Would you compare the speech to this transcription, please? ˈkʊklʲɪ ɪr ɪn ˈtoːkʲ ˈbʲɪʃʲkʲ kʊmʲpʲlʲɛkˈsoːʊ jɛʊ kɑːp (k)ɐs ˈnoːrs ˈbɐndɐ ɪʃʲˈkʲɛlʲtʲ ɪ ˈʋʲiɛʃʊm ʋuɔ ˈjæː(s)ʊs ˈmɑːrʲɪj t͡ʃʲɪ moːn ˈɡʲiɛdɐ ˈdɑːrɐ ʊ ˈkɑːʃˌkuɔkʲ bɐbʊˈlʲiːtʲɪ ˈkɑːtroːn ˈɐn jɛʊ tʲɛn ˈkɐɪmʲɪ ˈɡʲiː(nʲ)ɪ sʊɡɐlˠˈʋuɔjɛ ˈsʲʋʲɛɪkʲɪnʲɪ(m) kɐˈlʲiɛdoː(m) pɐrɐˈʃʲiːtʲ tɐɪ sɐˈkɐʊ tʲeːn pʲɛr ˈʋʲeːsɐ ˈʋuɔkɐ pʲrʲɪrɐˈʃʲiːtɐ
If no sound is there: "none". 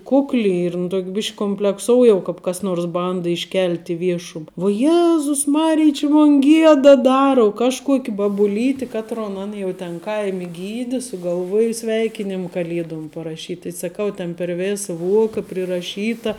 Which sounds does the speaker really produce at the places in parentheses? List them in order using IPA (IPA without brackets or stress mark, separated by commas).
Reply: k, z, dʲ, m, m